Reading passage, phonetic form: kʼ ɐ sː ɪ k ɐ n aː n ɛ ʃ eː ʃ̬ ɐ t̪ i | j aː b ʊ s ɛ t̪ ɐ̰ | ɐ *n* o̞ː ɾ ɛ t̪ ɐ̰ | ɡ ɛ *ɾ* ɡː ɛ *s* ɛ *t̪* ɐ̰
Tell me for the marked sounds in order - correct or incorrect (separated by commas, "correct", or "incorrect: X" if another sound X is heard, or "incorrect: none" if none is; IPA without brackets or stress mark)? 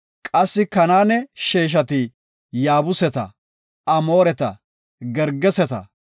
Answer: incorrect: m, correct, correct, correct